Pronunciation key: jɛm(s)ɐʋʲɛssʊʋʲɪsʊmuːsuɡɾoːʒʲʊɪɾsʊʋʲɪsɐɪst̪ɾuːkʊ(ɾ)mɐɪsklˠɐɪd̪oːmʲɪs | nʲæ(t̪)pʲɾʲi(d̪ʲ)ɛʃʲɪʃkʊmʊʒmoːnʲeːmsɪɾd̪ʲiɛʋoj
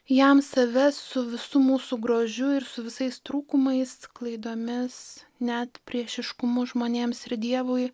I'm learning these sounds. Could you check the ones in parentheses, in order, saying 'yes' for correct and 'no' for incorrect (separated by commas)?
yes, no, yes, no